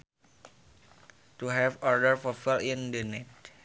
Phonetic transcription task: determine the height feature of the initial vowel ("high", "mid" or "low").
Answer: high